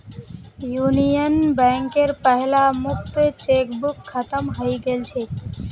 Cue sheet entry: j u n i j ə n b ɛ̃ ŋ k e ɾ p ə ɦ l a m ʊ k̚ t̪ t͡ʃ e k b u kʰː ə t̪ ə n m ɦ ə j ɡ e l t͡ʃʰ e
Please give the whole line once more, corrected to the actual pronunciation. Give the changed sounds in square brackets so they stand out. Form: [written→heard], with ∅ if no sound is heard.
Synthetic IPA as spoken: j u n i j ə n b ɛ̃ ŋ k e ɾ p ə ɦ l a m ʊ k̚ t̪ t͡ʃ e k b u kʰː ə t̪ ə [n→∅] m ɦ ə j ɡ e l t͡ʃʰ e